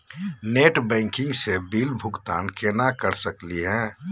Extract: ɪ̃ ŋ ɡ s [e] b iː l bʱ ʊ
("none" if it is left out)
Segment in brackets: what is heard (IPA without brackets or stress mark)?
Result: e